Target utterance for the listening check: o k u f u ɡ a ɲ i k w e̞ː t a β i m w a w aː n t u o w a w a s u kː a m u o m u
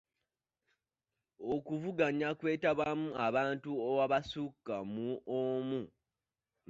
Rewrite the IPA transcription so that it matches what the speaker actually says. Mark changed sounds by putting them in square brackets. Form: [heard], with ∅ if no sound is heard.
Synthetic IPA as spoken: o k u [v] u ɡ a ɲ [a] k w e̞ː t a β [a] m [u] a [β] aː n t u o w a [β] a s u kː a m u o m u

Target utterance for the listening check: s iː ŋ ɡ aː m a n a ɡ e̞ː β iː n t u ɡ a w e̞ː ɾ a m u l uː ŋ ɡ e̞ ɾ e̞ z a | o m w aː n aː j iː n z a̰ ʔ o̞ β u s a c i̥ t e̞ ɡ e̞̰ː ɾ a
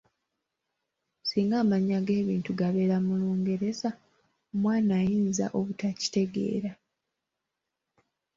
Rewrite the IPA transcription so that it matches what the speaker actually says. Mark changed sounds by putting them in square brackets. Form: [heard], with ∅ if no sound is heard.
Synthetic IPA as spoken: s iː ŋ ɡ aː m a [ɲ] a ɡ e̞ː β iː n t u ɡ a [β] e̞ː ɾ a m u l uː ŋ ɡ e̞ ɾ e̞ z a | o m w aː n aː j iː n z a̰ ʔ o̞ β u [t] a c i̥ t e̞ ɡ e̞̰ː ɾ a

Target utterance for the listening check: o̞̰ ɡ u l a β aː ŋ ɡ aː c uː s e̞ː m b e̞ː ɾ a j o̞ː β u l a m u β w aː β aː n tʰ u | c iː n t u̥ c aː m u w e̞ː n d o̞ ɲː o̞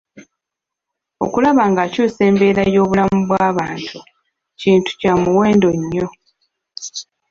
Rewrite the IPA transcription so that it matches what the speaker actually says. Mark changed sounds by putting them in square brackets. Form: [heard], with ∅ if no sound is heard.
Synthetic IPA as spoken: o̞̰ [k] u l a β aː ŋ ɡ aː c uː s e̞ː m b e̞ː ɾ a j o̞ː β u l a m u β w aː β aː n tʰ u | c iː n t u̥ c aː m u w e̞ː n d o̞ ɲː o̞

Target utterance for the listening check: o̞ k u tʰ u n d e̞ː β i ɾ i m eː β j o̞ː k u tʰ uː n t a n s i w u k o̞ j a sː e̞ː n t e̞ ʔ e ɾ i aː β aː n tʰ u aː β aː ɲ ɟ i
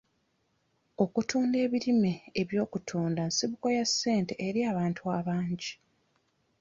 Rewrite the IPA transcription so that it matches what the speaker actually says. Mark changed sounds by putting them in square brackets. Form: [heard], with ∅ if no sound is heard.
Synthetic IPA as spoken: o̞ k u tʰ [uː] n d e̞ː β i ɾ i m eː β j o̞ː k u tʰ uː n [d] a n s i [β] u k o̞ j a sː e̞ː n t e̞ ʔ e ɾ i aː β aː n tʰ u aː β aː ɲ ɟ i

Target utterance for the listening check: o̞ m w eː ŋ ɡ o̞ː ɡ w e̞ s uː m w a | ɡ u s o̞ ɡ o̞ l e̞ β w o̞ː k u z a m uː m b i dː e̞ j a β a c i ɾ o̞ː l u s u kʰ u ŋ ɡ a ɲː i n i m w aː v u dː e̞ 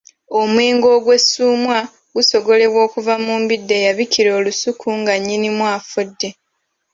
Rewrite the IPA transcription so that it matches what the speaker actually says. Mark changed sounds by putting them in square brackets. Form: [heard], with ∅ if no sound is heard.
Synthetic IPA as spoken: o̞ m w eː ŋ ɡ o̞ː ɡ w e̞ s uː m w a | ɡ u s o̞ ɡ o̞ l e̞ β w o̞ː k u [v] a m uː m b i dː e̞ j a β [i] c i ɾ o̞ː l u s u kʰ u ŋ ɡ a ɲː i n i m w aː [f] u dː e̞

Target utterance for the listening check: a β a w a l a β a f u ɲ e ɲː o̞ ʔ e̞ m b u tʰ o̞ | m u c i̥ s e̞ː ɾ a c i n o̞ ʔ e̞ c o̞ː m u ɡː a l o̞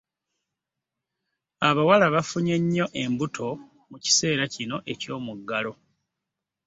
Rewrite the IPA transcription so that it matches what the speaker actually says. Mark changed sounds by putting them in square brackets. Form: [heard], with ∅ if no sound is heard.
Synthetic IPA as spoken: a β a w a l a β a f u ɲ e ɲː o̞ ʔ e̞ m b u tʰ o̞ | m u c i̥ s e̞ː ɾ a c i n o̞ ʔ e̞ c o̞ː m u ɡː a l o̞

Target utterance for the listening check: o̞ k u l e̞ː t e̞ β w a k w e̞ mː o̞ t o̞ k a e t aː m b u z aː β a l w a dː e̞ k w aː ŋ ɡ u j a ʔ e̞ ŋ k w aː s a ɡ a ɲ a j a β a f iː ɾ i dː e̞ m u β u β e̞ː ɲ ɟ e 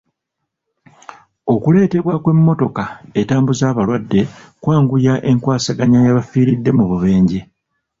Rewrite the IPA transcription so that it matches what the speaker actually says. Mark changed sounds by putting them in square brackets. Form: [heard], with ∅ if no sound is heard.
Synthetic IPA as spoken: o̞ k u l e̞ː t e̞ β w a k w e̞ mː o̞ t o̞ k a e t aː m b u z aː β a l w a dː e̞ k w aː ŋ ɡ u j a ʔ e̞ ŋ k w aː s a ɡ a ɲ a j a β a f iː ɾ i dː e̞ m u β u β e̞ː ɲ ɟ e

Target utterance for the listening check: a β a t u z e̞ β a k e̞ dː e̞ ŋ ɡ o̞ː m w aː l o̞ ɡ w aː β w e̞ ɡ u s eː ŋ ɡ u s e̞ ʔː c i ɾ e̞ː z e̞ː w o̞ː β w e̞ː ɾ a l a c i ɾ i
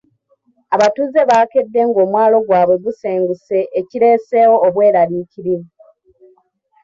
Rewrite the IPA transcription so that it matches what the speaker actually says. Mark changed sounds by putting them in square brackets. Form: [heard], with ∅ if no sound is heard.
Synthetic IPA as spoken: a β a t u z e̞ β a k e̞ dː e̞ ŋ ɡ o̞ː m w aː l o̞ ɡ w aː β w e̞ ɡ u s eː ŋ ɡ u s e̞ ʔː c i ɾ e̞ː [s] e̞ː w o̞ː β w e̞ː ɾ a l [i] c i ɾ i

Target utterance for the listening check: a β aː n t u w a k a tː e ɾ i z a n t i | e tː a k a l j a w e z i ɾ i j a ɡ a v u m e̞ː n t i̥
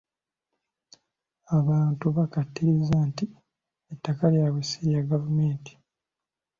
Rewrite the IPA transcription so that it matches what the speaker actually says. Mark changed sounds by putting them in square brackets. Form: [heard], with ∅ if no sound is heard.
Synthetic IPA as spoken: a β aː n t u [β] a k a tː [i] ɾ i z a n t i | e tː a k a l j a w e [s] i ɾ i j a ɡ a v u m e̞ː n t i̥

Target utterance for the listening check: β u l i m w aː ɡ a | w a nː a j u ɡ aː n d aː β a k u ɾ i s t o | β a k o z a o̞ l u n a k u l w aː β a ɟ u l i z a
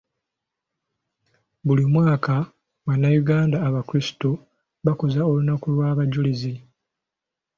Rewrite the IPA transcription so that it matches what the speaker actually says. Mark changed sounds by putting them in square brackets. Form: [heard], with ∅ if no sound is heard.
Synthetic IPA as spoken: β u l i m w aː [k] a | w a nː a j u ɡ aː n d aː β a k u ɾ i s t o | β a k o z a o̞ l u n a k u l w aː β a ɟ u l i z [i]

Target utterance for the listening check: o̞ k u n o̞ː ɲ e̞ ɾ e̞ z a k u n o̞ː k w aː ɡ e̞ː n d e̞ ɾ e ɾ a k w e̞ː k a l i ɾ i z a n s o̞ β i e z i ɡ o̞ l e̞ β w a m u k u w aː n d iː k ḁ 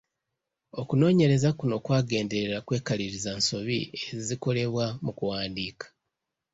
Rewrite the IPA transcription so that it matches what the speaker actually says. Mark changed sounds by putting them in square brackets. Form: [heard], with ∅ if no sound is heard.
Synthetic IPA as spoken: o̞ k u n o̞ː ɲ e̞ ɾ e̞ z a k u n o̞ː k w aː ɡ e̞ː n d e̞ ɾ e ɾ a k w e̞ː k a l i ɾ i z a n s o̞ β i e z i [k] o̞ l e̞ β w a m u k u w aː n d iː k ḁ

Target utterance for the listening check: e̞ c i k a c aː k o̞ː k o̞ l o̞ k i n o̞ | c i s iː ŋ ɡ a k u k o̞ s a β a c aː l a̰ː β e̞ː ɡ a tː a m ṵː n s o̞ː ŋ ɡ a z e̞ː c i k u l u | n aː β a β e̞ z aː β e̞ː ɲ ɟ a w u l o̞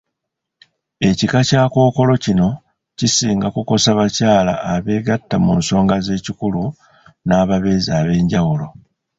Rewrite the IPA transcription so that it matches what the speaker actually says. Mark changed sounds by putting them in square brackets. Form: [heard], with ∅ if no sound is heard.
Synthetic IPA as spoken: e̞ c i k a c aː k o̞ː k o̞ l o̞ [c] i n o̞ | c i s iː ŋ ɡ a k u k o̞ s a β a c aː l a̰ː β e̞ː ɡ a tː a m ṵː n s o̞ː ŋ ɡ a z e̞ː c i k u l u | n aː β a β e̞ z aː β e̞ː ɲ ɟ a w u l o̞

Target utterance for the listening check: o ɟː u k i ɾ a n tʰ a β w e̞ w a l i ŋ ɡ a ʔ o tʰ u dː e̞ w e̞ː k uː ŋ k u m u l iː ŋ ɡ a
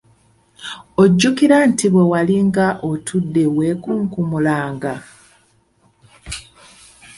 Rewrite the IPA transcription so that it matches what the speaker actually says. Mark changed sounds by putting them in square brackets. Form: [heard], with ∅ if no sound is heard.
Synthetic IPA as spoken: o ɟː u k i ɾ a n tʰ [i] β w e̞ w a l i ŋ ɡ a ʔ o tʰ u dː e̞ w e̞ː k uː ŋ k u m u l [aː] ŋ ɡ a

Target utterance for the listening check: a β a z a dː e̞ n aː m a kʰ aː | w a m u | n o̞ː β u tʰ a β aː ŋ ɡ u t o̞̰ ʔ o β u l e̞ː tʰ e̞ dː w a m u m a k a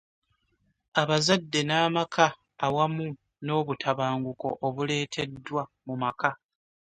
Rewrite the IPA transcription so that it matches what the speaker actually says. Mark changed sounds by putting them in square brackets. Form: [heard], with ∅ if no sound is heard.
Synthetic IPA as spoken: a β a z a dː e̞ n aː m a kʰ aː | w a m u | n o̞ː β u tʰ a β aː ŋ ɡ u [k] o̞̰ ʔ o β u l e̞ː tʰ e̞ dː w a m u m a k a

